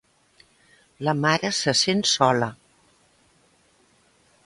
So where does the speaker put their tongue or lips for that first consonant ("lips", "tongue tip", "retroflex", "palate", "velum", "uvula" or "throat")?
tongue tip